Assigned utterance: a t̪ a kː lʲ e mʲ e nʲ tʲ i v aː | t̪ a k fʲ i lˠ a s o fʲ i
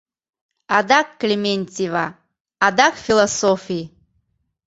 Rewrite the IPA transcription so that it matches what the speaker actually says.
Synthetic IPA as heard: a d̪ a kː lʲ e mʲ e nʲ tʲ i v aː | d̪ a k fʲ i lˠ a s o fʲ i